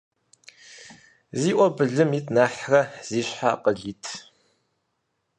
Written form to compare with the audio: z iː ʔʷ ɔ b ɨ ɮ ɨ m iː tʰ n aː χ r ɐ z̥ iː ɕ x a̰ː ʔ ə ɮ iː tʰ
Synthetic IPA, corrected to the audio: z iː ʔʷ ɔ b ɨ ɮ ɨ m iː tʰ n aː ħ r ɐ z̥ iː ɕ ħ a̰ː q ə ɮ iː tʰ